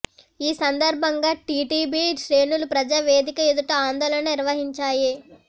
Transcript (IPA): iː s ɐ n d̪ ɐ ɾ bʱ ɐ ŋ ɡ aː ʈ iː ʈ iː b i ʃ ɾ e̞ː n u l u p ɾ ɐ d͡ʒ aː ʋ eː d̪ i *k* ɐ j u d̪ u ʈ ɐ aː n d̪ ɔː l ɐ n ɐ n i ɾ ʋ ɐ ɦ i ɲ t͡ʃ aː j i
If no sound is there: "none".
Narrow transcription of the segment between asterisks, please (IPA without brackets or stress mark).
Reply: k